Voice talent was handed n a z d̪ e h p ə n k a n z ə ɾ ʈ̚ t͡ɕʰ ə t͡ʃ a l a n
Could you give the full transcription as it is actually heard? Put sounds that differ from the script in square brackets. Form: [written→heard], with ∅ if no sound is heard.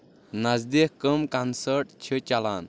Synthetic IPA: n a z d̪ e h [p→k] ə [n→m] k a n [z→s] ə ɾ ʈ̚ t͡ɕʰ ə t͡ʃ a l a n